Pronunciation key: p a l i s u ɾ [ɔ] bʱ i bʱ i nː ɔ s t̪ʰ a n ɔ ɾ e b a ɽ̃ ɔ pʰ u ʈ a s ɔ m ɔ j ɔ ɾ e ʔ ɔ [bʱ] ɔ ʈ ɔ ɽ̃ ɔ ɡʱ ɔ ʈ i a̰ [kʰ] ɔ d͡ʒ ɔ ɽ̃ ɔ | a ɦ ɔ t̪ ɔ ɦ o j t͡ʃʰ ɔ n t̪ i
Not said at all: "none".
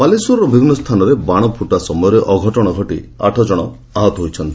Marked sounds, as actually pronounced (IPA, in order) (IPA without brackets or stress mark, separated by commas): ɔ, ɡʱ, ʈʰ